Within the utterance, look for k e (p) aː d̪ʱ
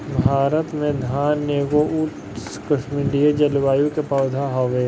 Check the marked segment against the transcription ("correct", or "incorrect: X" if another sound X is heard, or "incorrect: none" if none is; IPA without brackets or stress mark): correct